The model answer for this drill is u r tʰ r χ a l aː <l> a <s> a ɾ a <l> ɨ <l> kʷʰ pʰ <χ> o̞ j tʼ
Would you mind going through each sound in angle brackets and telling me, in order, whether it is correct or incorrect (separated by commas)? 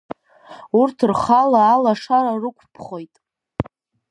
correct, incorrect, incorrect, incorrect, correct